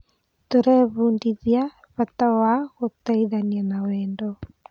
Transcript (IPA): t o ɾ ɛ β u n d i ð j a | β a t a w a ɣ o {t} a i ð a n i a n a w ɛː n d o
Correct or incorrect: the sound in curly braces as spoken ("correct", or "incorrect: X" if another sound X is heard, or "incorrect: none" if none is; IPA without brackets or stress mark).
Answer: correct